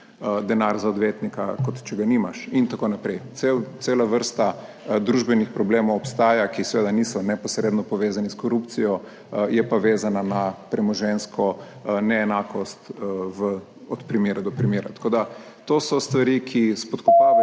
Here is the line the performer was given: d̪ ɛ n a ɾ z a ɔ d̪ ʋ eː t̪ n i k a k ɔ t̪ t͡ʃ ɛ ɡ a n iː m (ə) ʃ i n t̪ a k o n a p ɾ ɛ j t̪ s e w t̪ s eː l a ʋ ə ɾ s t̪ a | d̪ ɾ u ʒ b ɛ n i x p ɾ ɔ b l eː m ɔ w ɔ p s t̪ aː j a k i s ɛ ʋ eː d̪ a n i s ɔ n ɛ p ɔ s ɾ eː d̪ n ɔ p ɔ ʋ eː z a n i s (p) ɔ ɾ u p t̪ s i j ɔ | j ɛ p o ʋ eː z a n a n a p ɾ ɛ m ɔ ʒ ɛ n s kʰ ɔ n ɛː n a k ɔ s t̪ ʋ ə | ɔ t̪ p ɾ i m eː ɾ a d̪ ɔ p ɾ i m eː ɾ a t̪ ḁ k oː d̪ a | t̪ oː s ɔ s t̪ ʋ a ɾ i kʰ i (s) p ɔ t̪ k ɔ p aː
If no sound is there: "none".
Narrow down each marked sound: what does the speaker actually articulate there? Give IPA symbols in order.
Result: a, k, s

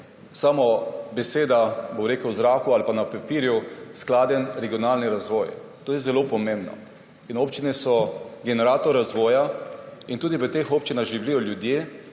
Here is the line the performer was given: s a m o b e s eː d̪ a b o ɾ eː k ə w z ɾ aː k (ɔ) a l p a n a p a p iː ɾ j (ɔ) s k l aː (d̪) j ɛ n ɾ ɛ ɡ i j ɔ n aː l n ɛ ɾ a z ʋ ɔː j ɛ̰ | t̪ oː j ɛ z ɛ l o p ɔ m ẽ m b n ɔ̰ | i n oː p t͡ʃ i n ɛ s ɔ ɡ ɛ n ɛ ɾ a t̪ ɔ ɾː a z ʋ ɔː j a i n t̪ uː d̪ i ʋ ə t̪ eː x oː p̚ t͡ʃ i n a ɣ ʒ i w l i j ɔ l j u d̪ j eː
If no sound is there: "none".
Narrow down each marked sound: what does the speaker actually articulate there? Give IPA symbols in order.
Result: u, u, d̪

